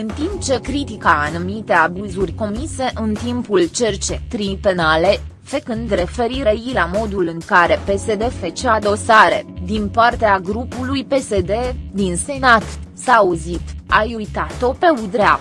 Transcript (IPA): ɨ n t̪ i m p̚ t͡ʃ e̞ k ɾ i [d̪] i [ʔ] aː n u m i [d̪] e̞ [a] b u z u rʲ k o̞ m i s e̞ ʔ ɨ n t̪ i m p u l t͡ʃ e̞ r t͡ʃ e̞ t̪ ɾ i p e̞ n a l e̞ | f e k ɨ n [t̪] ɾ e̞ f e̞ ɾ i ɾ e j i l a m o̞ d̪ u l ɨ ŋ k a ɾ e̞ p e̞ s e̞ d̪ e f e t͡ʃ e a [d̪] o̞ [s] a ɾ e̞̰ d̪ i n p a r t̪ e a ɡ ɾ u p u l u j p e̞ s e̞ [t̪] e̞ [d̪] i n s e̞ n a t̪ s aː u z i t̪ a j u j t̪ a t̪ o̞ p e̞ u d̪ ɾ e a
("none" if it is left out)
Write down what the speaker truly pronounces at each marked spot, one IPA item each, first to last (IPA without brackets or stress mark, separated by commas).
t̪, k, t̪, a, d̪, d̪, s, d̪, d̪